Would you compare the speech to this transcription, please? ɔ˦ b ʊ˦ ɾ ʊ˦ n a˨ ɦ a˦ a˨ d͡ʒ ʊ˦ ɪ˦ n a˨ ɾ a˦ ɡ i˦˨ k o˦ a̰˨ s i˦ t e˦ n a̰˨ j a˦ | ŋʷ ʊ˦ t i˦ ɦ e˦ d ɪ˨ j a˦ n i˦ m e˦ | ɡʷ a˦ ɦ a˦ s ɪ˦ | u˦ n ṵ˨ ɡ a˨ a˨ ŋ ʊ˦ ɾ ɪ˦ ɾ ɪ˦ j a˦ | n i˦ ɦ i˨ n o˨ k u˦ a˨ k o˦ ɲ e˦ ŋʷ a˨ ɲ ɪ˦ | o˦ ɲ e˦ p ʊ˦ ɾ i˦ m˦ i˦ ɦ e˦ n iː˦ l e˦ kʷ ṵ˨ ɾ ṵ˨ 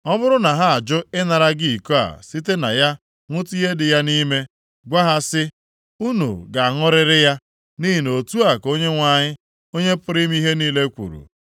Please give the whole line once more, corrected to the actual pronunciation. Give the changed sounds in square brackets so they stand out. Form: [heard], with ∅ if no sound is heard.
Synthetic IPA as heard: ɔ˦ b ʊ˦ ɾ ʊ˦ n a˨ ɦ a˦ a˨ d͡ʒ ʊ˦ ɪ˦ n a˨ ɾ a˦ ɡ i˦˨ k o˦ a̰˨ s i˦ t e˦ n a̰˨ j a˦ | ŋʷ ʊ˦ t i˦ ɦ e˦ d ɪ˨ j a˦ n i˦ m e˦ | ɡʷ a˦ ɦ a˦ s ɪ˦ | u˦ n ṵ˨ ɡ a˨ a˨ ŋ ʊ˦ ɾ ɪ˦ ɾ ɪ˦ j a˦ | n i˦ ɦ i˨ n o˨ [t] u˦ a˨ k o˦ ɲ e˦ ŋʷ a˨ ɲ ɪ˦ | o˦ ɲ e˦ p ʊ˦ ɾ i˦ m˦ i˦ ɦ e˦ n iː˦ l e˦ kʷ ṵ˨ ɾ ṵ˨